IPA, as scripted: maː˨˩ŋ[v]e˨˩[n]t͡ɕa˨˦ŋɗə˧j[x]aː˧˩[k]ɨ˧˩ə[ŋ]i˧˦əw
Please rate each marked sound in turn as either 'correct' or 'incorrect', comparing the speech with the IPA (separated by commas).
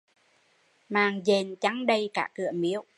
incorrect, correct, incorrect, correct, incorrect